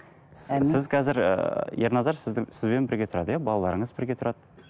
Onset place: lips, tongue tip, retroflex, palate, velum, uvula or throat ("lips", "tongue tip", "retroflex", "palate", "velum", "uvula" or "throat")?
tongue tip